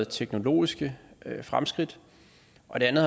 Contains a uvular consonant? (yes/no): yes